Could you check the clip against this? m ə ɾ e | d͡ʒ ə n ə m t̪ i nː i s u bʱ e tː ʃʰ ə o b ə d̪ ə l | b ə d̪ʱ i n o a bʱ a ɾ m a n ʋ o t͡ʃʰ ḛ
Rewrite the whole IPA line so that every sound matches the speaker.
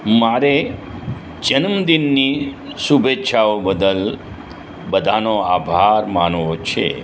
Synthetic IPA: m a ɾ e | d͡ʒ ə n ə m d̪ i nː i s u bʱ e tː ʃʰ a o b ə d̪ ə l | b ə d̪ʱ a n o a bʱ a ɾ m a n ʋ o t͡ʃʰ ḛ